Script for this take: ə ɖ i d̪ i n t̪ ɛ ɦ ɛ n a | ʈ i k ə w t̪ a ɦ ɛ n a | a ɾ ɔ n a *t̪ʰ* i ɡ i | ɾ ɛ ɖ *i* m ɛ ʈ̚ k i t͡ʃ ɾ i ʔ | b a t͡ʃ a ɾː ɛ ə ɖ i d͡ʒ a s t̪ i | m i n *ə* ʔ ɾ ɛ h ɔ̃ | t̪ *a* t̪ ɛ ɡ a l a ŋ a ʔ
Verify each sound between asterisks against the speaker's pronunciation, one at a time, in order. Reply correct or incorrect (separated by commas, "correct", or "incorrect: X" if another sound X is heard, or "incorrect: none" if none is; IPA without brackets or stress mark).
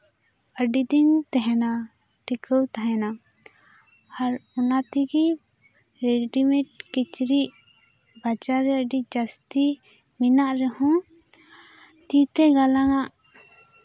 incorrect: t̪, correct, incorrect: a, incorrect: i